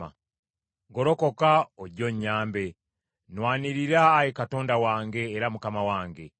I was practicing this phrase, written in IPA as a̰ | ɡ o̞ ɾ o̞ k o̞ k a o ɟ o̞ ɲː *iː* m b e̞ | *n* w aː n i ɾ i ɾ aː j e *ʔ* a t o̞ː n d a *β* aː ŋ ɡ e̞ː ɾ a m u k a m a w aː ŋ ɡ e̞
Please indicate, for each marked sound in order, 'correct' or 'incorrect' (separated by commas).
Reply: incorrect, correct, incorrect, incorrect